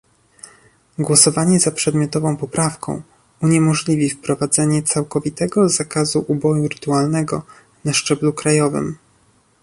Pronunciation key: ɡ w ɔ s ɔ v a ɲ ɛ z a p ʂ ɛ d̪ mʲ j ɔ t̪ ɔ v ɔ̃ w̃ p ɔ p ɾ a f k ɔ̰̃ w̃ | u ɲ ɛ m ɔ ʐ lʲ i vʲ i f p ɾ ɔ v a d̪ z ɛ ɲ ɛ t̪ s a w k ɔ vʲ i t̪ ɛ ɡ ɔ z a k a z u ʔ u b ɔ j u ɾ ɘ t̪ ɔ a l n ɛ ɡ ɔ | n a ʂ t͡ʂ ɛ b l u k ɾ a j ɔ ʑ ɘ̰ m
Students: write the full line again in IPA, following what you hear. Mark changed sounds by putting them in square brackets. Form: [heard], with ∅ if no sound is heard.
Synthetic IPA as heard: ɡ w ɔ s ɔ v a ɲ ɛ z a p ʂ ɛ d̪ mʲ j ɔ t̪ ɔ v ɔ̃ w̃ p ɔ p ɾ a f k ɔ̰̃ w̃ | u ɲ ɛ m ɔ ʐ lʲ i vʲ i f p ɾ ɔ v a d̪ z ɛ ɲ ɛ t̪ s a w k ɔ vʲ i t̪ ɛ ɡ ɔ z a k a z u ʔ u b ɔ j u ɾ ɘ t̪ [u] a l n ɛ ɡ ɔ | n a ʂ t͡ʂ ɛ b l u k ɾ a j ɔ [v] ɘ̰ m